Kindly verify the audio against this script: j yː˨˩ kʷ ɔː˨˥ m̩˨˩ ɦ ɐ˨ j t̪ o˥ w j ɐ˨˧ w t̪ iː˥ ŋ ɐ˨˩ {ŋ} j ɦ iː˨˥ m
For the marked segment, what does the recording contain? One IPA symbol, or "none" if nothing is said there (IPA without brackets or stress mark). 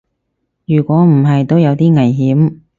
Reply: none